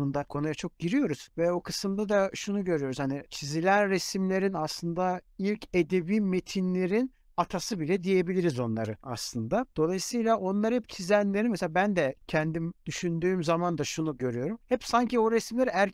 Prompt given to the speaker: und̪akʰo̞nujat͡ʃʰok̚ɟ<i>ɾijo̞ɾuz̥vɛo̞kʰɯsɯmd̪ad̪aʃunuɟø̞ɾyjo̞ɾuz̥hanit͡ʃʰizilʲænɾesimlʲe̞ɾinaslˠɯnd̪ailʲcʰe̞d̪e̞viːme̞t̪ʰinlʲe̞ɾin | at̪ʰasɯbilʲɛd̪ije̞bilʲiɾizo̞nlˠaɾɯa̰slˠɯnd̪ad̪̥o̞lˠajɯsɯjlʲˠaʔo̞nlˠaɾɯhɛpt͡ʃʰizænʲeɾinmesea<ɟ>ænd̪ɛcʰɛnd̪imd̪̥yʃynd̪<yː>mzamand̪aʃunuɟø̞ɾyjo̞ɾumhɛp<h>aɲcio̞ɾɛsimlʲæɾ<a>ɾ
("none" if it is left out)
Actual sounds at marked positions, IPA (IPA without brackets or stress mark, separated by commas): i, b, yː, s, æ